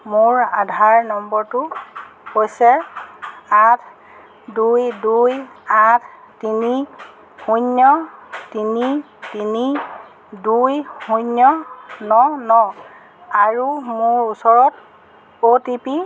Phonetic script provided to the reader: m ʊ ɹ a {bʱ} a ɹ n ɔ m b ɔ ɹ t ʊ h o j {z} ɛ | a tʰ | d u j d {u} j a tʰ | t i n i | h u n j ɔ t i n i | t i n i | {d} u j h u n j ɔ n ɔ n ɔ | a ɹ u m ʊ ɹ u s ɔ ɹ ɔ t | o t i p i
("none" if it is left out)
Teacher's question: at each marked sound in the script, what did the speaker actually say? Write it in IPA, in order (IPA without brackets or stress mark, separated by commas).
dʱ, s, u, d